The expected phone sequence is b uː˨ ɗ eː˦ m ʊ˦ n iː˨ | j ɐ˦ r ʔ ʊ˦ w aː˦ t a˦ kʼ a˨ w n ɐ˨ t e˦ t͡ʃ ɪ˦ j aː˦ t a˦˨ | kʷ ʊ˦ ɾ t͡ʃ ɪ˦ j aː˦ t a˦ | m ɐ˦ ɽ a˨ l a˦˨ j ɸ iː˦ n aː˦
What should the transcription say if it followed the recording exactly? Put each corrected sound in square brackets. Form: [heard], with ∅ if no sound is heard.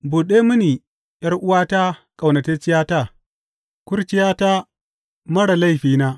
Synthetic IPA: b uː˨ ɗ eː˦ m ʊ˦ n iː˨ | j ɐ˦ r ʔ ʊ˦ w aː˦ t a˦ kʼ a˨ w n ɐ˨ t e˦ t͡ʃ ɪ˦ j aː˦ t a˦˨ | kʷ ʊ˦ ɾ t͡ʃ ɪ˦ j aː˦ t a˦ | m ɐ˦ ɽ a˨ l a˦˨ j ɸ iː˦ n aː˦